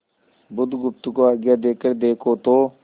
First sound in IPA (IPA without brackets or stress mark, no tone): b